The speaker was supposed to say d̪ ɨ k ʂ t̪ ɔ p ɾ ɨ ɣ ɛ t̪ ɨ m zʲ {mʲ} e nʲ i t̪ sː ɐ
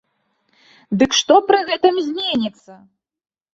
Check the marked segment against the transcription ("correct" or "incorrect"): correct